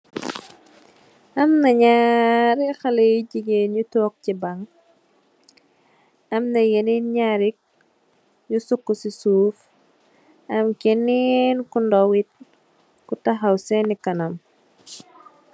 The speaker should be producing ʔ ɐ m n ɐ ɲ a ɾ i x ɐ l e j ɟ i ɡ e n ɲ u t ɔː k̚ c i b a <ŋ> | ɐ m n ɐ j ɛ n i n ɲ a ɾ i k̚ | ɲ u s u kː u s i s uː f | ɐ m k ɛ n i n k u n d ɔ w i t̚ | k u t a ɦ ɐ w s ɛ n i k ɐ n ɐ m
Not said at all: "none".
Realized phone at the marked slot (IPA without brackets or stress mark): ŋ